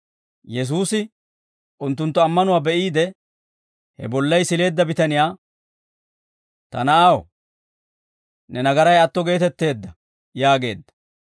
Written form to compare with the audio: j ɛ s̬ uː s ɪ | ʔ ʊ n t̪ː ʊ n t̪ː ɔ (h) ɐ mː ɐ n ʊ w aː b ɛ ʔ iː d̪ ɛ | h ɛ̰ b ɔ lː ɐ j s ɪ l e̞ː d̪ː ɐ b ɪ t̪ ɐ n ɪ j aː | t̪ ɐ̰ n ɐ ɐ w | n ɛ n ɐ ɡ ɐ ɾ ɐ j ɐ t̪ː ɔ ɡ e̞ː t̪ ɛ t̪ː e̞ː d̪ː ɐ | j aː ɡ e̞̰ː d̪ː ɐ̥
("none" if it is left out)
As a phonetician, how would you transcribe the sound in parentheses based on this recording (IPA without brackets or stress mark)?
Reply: none